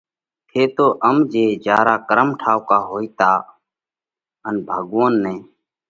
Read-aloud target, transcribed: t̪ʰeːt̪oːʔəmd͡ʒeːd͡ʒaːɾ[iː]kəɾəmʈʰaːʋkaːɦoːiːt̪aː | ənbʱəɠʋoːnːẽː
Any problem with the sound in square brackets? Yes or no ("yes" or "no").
yes